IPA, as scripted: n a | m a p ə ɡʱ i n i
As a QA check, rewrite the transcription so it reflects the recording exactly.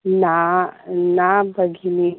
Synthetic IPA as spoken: n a | n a b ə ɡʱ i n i